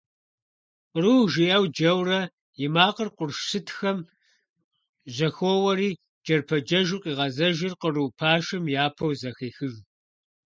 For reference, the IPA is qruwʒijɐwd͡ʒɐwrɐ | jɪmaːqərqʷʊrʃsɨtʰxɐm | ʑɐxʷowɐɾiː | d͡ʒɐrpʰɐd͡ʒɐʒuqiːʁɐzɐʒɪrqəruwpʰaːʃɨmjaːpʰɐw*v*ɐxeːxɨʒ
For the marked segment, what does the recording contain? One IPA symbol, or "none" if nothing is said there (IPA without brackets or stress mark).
z